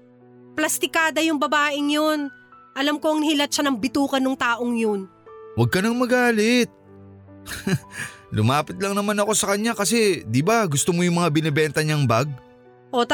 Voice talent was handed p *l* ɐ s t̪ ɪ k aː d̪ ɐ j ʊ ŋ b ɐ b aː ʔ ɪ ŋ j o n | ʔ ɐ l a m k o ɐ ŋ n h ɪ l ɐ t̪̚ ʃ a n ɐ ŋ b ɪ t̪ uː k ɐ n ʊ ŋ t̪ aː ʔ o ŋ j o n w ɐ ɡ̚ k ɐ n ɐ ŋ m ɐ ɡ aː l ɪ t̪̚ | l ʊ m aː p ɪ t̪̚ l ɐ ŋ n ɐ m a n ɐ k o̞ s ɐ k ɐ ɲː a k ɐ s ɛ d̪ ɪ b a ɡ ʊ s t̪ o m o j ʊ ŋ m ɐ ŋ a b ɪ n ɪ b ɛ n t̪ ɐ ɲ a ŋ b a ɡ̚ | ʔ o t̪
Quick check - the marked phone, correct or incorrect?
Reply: correct